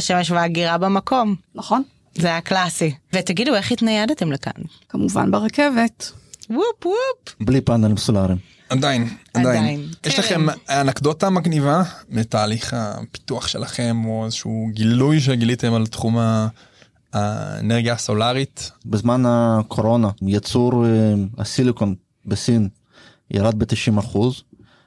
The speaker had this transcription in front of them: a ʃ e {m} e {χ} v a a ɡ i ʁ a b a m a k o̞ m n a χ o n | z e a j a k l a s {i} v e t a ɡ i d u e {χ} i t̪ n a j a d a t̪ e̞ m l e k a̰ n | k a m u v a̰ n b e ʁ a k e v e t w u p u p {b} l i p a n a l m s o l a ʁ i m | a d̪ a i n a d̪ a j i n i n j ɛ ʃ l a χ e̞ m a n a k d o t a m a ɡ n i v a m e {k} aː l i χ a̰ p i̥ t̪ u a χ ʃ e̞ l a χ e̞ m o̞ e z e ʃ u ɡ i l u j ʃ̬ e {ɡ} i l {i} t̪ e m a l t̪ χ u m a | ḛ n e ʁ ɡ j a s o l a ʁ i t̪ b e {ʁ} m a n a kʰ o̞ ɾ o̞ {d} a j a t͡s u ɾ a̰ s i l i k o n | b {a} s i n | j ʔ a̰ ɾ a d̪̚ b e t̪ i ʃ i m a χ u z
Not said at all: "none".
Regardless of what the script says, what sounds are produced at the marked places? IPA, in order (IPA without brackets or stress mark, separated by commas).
m, ʃ, i, χ, b, t, ɡ, i, z, n, e